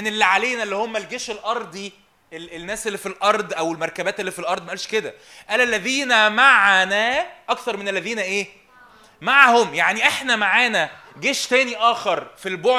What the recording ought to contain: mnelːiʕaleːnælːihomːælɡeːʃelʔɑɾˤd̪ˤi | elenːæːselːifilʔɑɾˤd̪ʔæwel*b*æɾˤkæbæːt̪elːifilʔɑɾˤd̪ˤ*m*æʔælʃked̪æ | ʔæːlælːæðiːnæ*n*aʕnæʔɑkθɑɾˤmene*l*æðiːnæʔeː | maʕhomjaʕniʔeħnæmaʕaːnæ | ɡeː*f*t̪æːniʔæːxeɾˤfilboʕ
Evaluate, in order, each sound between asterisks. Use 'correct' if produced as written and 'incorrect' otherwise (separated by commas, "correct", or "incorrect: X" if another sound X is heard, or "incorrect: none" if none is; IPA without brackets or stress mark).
incorrect: m, correct, incorrect: m, incorrect: lː, incorrect: ʃ